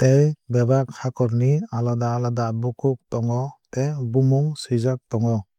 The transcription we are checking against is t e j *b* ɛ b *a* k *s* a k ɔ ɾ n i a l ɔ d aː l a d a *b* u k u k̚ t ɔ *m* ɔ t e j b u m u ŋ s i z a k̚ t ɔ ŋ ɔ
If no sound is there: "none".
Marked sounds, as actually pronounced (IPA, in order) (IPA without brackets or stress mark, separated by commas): b, a, h, b, ŋ